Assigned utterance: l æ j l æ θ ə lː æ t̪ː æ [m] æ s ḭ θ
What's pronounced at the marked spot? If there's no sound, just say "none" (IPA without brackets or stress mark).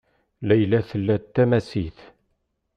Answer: m